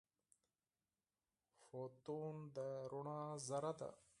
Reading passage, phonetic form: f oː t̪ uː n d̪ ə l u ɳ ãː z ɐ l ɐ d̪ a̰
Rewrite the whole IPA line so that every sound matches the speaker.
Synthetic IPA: f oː t̪ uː n d̪ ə ɾ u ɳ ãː z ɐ ɾ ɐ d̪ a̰